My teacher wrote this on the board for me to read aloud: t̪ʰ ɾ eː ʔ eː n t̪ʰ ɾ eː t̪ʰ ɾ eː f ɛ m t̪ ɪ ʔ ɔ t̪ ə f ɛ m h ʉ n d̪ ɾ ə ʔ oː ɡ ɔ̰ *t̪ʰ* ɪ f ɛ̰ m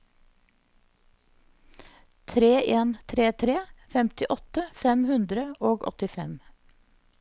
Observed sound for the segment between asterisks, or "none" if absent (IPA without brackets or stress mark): t̪